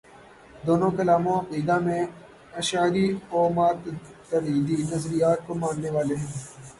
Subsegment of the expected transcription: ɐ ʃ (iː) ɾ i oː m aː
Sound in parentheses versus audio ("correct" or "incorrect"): incorrect